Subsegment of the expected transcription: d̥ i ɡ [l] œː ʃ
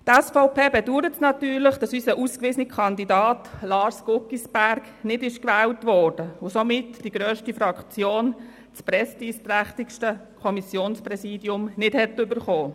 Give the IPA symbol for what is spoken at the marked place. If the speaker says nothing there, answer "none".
ɾ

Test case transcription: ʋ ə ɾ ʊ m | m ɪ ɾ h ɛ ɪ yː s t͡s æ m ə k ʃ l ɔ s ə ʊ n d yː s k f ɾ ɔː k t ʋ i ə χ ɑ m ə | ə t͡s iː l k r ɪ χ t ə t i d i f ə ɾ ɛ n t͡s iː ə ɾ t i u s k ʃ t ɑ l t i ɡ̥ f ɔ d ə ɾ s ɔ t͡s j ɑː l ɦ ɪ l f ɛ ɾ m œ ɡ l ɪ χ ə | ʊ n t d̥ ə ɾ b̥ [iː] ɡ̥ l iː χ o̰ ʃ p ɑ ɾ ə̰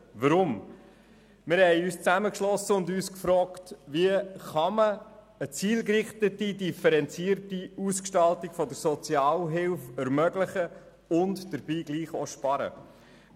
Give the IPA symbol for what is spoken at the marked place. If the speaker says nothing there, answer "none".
iː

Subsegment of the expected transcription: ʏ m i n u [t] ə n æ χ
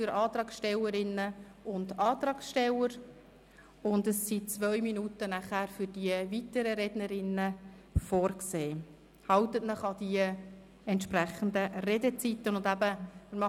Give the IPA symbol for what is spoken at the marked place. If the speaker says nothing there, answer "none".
t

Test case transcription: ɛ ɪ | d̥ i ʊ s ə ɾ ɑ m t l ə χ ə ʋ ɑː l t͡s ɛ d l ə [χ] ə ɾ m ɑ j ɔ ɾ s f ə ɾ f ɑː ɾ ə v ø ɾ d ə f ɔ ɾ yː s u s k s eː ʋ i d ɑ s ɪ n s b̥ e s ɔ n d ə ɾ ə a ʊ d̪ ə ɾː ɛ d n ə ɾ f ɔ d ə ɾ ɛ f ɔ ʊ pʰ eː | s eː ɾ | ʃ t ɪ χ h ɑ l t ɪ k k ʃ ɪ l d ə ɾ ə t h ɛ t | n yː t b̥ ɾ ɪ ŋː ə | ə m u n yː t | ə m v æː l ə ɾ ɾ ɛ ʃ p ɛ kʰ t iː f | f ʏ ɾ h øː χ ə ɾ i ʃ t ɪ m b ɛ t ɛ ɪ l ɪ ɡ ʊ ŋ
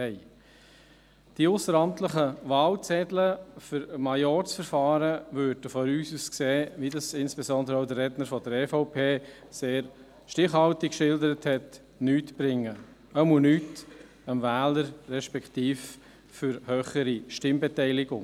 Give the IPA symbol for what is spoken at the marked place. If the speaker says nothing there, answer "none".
f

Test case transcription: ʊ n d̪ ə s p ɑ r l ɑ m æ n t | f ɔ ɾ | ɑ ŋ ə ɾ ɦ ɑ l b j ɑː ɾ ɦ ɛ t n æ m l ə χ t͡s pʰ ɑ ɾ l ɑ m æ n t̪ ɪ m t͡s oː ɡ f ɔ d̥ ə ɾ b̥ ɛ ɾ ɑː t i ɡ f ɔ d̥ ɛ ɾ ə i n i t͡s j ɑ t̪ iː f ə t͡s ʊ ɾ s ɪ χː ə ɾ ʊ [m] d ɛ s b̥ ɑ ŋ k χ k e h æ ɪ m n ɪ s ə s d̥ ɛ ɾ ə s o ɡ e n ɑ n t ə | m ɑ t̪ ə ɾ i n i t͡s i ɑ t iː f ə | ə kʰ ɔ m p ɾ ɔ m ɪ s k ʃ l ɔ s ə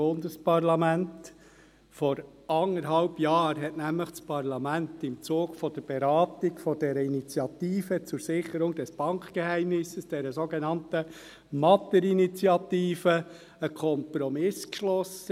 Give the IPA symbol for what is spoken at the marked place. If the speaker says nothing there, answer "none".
ŋ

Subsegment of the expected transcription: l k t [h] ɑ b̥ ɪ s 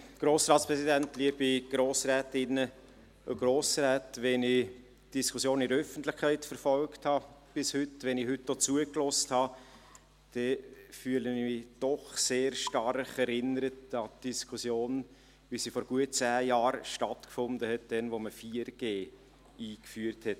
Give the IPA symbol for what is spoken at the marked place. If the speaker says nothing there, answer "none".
h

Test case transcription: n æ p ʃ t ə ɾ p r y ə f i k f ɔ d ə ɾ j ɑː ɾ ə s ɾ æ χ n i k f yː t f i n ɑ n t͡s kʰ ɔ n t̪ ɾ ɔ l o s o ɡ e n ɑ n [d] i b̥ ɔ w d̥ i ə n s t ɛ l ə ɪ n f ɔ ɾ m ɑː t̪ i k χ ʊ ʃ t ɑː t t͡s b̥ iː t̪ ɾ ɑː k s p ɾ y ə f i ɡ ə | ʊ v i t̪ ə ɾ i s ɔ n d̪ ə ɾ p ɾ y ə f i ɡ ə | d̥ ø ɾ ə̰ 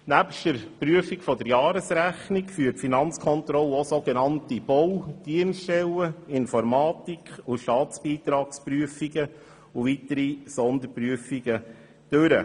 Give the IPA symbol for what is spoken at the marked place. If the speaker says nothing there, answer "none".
t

